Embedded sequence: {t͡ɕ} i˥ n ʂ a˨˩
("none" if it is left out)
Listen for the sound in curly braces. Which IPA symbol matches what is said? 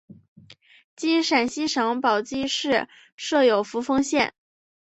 t͡ɕ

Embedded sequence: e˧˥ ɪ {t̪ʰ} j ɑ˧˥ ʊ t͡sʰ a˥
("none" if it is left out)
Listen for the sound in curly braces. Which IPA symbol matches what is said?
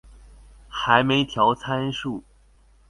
t̪ʰ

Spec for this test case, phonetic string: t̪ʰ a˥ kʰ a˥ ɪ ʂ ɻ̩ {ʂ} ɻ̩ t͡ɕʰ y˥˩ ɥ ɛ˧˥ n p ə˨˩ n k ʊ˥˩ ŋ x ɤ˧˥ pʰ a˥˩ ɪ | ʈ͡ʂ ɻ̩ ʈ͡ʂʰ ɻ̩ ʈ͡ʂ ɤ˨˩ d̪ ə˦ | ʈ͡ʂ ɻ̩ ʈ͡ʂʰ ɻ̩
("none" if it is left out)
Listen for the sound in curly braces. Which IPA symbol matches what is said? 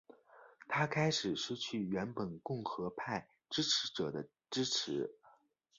ʂ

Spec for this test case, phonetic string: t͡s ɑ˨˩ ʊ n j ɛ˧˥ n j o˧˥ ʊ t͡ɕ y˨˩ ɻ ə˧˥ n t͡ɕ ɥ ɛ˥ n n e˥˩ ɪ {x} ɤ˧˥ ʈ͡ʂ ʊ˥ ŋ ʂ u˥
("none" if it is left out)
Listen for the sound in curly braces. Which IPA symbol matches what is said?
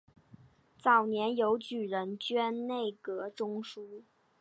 k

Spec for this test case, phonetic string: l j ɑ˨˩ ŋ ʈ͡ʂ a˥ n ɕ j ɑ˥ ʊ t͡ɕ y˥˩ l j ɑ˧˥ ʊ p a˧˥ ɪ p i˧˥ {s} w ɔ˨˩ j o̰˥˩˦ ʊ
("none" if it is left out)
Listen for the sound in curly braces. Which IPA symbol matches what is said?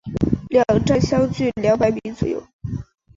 t͡s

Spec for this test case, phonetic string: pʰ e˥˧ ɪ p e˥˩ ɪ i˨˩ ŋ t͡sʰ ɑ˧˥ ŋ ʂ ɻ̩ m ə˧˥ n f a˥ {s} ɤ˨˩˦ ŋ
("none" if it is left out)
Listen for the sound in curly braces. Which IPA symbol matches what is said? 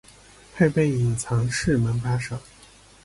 ʂ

